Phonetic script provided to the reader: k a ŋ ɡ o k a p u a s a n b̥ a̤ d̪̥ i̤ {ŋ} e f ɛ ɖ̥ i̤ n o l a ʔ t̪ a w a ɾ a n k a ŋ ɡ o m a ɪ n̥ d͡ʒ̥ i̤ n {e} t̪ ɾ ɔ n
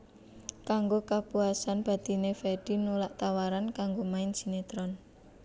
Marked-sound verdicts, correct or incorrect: incorrect, correct

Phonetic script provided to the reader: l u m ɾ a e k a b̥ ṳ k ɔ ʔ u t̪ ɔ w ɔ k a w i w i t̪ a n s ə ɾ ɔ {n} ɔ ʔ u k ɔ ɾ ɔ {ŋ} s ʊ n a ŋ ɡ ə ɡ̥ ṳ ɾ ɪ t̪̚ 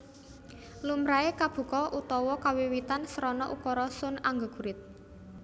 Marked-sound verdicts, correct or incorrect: correct, incorrect

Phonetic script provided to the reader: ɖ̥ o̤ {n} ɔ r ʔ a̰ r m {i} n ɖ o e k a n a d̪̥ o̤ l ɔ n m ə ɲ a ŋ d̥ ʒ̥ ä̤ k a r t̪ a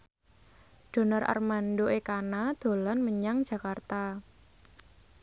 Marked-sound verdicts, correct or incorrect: correct, incorrect

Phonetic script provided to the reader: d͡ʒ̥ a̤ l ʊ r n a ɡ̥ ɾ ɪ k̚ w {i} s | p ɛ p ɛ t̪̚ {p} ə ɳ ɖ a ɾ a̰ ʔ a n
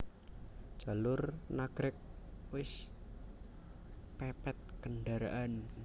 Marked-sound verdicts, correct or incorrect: incorrect, incorrect

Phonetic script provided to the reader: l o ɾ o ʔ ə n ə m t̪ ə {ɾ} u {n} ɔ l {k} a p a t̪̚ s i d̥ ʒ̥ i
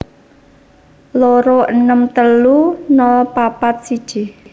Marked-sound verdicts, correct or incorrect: incorrect, correct, incorrect

